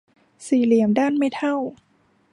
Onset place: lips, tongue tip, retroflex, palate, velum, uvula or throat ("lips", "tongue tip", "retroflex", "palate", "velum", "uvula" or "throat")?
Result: tongue tip